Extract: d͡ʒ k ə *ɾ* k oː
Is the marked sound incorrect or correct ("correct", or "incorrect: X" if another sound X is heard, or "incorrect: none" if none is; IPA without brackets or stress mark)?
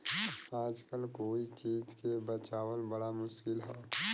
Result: incorrect: l